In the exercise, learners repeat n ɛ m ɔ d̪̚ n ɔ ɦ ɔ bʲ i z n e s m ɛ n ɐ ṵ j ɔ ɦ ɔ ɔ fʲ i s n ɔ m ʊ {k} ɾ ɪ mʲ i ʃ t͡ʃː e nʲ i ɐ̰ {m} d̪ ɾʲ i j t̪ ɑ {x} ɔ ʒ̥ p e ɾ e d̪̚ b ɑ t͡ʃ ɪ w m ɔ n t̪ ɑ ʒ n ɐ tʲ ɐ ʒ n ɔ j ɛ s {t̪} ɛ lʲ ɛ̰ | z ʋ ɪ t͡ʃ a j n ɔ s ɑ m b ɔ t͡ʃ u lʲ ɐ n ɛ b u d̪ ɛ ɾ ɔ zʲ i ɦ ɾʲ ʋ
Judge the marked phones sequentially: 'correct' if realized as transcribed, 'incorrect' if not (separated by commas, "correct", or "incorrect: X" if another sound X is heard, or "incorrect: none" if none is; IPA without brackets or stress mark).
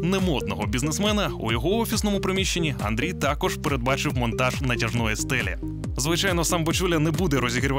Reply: incorrect: p, incorrect: n, incorrect: k, correct